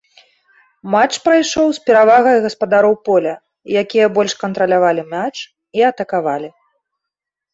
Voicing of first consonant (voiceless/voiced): voiced